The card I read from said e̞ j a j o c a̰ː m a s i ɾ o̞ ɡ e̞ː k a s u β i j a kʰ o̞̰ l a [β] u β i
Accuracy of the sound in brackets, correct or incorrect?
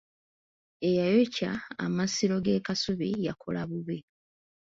correct